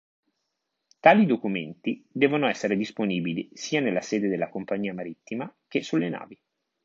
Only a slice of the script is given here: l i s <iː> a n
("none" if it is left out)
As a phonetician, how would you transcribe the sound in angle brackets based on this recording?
iː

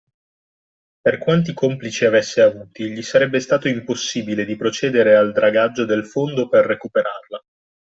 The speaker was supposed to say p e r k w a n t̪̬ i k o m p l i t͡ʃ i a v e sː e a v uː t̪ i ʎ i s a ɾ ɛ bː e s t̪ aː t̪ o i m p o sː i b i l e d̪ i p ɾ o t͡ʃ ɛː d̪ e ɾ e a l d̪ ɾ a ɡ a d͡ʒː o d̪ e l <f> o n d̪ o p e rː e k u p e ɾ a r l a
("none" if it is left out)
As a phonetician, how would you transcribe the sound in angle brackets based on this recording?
f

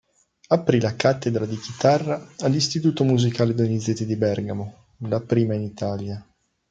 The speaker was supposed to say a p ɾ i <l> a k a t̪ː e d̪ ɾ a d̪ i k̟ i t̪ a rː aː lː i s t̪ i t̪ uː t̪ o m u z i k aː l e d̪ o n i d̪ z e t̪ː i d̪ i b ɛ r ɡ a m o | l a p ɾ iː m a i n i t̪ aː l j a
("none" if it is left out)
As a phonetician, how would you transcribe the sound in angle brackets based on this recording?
l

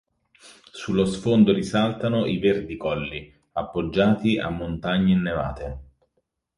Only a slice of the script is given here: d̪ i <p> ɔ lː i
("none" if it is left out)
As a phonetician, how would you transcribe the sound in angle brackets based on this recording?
k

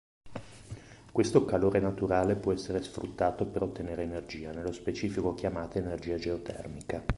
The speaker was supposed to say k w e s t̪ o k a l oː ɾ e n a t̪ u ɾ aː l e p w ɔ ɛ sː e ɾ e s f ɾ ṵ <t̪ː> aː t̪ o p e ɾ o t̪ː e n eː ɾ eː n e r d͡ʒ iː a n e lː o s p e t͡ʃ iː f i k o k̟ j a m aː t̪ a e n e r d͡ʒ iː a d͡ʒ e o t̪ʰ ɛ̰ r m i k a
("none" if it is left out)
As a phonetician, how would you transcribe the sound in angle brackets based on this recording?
t̪ː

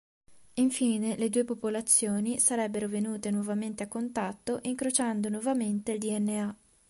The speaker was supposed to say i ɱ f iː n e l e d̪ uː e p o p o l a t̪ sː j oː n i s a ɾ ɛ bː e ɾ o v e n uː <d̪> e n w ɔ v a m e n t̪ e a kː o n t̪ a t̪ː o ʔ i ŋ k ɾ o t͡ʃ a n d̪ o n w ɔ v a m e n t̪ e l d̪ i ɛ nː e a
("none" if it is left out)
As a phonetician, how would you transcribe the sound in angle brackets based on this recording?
t̪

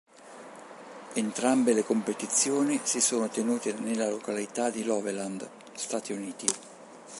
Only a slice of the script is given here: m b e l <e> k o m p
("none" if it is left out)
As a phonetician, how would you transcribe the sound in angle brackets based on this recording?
e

